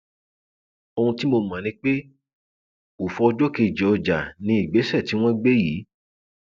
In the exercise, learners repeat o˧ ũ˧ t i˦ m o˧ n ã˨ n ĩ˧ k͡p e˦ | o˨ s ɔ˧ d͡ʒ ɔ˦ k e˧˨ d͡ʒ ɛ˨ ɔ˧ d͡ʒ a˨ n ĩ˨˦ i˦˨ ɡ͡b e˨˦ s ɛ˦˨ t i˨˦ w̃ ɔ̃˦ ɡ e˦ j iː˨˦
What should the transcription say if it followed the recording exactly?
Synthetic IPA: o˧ ũ˧ t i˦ m o˧ m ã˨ n ĩ˧ k͡p e˦ | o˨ f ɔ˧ d͡ʒ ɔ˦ k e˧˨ d͡ʒ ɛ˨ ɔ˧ d͡ʒ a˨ n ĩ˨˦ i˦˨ ɡ͡b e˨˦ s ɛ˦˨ t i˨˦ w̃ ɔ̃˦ ɡ͡b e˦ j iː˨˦